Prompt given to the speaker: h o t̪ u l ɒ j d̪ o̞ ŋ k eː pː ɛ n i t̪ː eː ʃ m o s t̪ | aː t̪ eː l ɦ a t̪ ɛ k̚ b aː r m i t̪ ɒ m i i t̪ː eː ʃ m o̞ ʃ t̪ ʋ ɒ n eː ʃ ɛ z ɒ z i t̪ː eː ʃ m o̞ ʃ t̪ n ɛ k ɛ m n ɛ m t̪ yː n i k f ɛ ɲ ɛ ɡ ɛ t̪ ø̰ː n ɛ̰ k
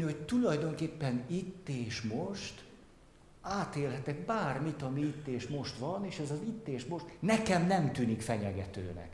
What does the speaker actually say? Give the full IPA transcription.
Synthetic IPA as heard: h o t̪ u l ɒ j d̪ o̞ ŋ k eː pː ɛ n i t̪ː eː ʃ m o ʃ t̪ | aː t̪ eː l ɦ ɛ t̪ ɛ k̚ b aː r m i t̪ ɒ m i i t̪ː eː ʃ m o̞ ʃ t̪ ʋ ɒ n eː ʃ ɛ z ɒ z i t̪ː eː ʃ m o̞ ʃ t̪ n ɛ k ɛ m n ɛ m t̪ yː n i k f ɛ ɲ ɛ ɡ ɛ t̪ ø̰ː n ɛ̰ k